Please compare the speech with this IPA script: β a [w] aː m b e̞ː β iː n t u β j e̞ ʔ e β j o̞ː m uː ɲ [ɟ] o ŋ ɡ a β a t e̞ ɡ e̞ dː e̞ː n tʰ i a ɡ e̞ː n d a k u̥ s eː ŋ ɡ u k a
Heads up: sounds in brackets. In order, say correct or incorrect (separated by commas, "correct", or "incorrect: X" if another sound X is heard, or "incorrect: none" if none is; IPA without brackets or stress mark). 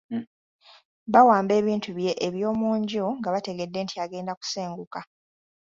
correct, correct